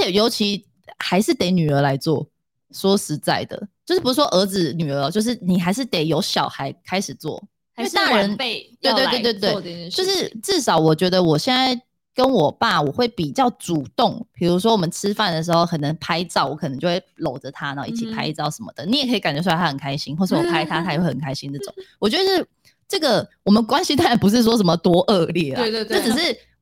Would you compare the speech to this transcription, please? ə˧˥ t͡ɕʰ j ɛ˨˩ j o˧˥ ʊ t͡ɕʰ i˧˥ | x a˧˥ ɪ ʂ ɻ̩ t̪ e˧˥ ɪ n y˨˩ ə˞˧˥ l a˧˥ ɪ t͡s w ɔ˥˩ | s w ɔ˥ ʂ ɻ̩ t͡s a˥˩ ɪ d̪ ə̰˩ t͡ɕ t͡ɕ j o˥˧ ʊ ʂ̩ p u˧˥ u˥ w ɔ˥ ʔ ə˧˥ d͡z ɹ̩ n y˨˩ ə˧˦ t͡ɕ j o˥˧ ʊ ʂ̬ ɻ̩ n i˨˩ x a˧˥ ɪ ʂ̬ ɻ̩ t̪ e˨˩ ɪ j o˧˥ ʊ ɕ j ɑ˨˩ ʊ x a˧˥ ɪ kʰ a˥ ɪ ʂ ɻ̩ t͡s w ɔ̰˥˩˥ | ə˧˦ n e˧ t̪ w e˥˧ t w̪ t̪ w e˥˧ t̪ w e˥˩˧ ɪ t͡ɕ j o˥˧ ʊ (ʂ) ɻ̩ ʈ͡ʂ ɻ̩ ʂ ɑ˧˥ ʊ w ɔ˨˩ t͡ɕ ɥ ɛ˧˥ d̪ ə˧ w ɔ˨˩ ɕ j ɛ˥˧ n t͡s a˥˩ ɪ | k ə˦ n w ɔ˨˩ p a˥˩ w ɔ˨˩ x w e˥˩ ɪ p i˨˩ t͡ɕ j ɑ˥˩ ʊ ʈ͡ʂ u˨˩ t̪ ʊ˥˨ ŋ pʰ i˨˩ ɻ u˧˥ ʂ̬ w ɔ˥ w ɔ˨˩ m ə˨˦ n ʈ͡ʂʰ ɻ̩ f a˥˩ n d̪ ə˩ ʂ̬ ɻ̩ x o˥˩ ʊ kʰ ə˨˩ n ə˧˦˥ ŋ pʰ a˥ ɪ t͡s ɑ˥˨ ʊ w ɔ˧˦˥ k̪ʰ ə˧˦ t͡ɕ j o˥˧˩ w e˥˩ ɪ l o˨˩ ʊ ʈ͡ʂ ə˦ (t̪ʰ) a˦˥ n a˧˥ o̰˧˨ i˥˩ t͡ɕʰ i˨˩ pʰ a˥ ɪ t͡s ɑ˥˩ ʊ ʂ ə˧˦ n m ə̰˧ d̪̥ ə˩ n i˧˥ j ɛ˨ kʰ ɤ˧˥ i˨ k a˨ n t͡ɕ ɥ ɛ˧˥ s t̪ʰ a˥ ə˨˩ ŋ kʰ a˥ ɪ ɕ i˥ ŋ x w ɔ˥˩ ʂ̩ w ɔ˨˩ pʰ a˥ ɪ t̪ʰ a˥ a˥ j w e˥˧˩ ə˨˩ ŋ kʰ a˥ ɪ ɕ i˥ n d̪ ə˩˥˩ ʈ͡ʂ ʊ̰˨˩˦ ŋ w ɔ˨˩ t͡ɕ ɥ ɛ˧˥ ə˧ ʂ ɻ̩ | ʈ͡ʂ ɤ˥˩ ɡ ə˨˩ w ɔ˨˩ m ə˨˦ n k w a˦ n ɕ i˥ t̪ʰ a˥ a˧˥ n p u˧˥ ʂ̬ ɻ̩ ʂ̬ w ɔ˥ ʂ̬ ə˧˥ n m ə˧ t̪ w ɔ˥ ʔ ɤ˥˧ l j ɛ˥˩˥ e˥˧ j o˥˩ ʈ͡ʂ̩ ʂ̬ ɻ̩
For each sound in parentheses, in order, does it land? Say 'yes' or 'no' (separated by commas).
yes, yes